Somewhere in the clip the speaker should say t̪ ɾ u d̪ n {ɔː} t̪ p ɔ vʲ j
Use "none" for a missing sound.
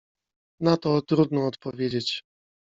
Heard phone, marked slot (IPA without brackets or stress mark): ɔː